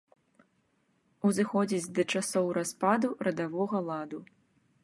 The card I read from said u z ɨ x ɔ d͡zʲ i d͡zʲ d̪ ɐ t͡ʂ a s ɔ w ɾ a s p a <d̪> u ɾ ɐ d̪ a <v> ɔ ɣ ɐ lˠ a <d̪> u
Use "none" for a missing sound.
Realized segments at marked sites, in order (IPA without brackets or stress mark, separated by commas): d̪, v, d̪